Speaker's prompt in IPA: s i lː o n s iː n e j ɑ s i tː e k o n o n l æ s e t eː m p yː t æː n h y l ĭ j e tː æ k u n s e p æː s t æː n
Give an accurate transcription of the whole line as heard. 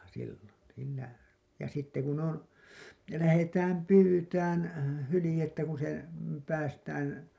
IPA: s i lː o n s iː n æ j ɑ s i tː e k u n o n l æ h e t æː m p yː t æː n h y l ĭ j e tː æ k u n s e p æː s t æː n